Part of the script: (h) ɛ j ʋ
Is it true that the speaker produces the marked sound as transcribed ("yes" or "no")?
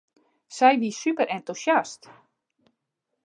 no